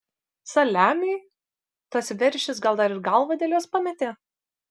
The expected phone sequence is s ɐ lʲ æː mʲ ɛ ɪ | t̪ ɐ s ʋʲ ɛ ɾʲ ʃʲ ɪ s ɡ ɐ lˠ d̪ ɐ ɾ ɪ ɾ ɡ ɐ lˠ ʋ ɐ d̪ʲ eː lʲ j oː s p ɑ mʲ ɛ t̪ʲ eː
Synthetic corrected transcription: s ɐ lʲ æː mʲ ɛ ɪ | t̪ ɐ s ʋʲ ɛ ɾʲ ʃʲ ɪ s ɡ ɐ lˠ d̪ ɐ ɾ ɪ ɾ ɡ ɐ lˠ ʋ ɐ d̪ʲ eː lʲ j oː s p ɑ mʲ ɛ t̪ʲ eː